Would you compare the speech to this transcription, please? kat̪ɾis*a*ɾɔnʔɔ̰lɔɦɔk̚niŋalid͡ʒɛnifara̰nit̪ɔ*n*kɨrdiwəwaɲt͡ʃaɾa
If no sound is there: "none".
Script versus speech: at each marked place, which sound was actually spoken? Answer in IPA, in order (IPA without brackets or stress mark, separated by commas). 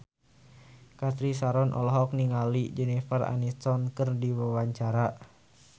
a, n